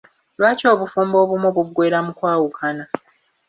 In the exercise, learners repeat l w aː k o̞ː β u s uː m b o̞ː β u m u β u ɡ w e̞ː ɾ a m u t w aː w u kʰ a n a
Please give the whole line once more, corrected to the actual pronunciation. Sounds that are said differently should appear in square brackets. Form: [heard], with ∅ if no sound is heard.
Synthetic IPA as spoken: l w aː [c] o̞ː β u [f] uː m b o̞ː β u m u β u ɡ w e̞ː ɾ a m u [k] w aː w u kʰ a n a